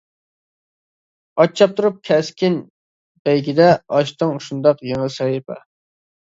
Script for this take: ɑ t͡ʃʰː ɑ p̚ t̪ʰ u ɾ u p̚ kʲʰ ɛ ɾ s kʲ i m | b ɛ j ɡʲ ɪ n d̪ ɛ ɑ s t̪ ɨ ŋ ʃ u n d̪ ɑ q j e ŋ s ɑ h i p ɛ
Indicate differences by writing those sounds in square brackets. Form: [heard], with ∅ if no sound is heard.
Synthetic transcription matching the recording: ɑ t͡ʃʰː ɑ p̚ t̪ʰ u ɾ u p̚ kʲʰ ɛ [∅] s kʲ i [n] | b ɛ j ɡʲ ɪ [∅] d̪ ɛ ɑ [ʃ] t̪ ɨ ŋ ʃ u n d̪ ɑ q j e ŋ s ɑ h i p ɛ